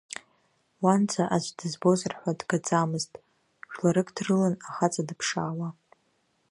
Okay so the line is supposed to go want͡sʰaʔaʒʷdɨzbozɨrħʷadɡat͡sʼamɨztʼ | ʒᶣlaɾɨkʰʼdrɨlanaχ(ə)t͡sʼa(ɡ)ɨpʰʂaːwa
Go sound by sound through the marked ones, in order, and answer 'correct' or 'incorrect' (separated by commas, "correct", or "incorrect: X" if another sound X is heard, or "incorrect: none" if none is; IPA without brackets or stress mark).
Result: incorrect: a, incorrect: d